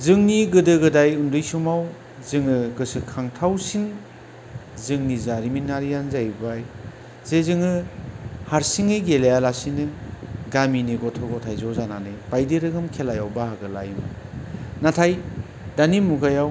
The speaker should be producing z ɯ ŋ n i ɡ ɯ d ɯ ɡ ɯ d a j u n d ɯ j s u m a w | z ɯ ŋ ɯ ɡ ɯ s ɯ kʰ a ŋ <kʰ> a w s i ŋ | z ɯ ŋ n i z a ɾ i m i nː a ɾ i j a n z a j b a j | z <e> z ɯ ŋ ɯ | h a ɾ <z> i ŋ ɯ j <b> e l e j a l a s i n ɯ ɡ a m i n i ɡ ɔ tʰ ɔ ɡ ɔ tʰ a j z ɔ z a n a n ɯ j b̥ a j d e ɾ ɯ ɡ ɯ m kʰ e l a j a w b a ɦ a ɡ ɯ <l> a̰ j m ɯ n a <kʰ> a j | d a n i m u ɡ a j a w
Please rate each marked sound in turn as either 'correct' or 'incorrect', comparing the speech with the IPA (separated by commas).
incorrect, correct, incorrect, incorrect, correct, incorrect